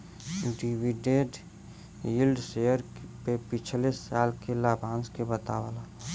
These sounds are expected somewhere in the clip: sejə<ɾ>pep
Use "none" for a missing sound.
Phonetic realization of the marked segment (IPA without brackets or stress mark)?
ɾ